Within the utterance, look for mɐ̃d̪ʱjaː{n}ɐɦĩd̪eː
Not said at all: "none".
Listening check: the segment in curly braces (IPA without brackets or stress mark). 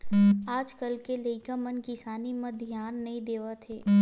nː